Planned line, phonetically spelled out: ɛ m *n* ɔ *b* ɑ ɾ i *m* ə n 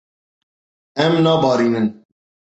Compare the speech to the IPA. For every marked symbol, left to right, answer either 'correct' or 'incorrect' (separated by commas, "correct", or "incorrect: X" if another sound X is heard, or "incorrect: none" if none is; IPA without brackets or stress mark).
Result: correct, correct, incorrect: n